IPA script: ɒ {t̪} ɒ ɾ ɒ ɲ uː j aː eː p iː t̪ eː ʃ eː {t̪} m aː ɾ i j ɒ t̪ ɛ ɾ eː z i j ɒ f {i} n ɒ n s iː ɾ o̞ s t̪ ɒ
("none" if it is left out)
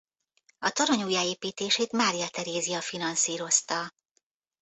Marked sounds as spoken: t̪, t̪, i

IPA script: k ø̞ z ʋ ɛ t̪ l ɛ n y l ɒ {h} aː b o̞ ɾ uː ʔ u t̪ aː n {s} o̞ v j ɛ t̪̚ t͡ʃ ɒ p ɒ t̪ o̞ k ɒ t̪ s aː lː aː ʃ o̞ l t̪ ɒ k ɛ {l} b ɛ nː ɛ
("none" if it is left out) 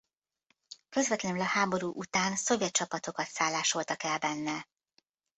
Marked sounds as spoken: h, s, l

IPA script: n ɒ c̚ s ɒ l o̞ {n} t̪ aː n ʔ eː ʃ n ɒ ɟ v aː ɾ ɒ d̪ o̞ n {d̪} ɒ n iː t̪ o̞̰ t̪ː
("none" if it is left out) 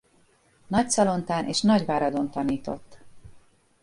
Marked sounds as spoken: n, t̪

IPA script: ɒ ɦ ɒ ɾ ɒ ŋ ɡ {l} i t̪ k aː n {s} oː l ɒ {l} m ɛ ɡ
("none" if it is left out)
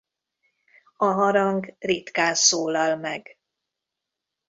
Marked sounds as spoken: r, s, l

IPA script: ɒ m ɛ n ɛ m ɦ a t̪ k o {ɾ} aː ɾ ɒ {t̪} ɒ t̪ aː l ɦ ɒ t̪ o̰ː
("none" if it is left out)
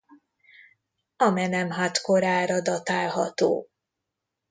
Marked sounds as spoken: ɾ, d̪

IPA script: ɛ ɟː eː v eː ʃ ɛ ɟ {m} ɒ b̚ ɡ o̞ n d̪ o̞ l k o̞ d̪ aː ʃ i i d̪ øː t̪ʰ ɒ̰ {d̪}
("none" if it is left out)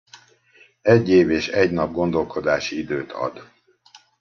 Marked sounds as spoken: n, d̪

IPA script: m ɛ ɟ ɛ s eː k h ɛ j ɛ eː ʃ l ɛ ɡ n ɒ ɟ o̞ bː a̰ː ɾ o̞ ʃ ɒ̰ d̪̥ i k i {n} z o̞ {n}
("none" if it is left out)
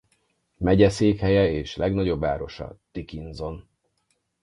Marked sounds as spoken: n, n

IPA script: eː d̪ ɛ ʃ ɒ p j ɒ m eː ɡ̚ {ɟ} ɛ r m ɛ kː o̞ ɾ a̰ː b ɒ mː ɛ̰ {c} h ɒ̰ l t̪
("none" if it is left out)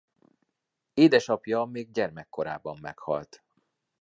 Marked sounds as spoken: ɟ, k

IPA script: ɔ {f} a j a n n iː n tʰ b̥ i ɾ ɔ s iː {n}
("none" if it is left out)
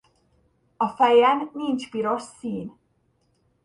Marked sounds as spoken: f, n

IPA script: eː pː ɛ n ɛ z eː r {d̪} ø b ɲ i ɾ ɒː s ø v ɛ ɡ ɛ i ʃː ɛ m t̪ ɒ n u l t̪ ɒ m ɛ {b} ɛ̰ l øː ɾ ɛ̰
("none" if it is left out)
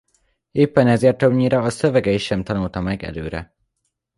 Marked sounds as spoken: t̪, ɡ

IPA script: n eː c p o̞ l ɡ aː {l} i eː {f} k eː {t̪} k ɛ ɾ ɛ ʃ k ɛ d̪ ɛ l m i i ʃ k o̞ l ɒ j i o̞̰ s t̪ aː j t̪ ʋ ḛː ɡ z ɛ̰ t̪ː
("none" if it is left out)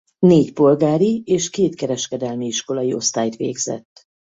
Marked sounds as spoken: ɾ, ʃ, t̪

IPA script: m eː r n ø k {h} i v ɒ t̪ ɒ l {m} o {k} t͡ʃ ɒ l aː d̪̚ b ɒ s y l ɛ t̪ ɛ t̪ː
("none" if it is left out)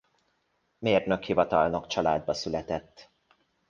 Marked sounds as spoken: h, n, k

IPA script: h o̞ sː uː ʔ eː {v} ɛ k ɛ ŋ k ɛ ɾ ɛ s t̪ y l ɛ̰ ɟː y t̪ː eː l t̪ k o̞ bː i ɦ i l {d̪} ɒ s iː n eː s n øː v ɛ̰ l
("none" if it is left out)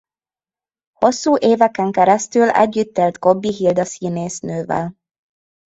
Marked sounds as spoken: v, d̪

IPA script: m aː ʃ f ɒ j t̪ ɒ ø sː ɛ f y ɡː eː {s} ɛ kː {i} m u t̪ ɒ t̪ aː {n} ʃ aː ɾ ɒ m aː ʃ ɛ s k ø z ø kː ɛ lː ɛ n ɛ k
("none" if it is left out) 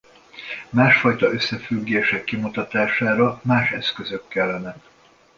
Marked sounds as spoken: ʃ, i, none

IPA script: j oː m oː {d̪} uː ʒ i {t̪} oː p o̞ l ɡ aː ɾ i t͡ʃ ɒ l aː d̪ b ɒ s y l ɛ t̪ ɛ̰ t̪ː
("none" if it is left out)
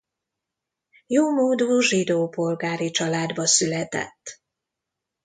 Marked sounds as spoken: d̪, d̪

